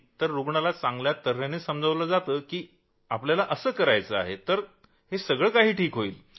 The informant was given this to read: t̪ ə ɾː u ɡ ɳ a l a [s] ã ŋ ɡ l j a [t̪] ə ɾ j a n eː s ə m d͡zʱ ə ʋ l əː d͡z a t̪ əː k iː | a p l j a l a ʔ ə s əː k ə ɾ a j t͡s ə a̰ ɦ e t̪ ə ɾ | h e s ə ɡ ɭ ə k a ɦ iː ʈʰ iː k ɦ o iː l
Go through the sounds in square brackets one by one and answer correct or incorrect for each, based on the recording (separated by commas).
incorrect, correct